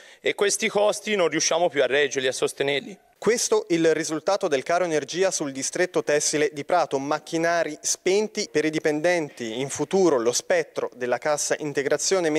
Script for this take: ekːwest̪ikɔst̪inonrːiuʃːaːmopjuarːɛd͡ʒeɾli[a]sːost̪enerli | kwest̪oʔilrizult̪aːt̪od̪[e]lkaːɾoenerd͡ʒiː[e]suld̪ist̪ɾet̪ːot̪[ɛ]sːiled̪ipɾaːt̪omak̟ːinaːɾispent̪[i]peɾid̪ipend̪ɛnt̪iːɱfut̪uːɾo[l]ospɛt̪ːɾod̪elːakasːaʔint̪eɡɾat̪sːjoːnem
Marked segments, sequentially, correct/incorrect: correct, correct, incorrect, correct, correct, correct

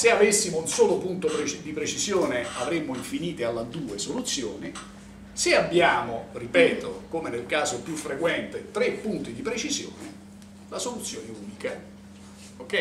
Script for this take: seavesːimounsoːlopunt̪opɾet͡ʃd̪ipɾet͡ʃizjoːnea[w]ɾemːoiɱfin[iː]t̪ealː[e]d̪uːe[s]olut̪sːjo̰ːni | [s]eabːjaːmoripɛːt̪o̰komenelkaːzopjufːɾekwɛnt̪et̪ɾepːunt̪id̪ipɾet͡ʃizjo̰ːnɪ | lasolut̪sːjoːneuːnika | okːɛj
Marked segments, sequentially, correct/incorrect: incorrect, correct, incorrect, correct, correct

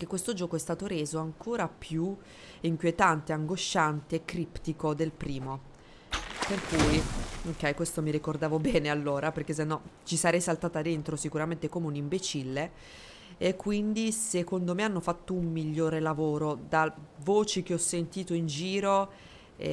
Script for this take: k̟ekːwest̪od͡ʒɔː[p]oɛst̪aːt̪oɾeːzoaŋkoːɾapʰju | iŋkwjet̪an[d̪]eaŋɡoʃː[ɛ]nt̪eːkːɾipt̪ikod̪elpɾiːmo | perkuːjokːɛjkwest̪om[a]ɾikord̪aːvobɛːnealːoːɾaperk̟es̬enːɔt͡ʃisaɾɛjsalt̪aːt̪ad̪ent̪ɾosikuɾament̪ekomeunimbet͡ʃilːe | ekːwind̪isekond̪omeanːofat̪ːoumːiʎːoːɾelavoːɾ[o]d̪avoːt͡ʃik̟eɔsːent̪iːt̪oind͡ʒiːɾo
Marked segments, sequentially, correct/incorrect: incorrect, incorrect, incorrect, incorrect, correct

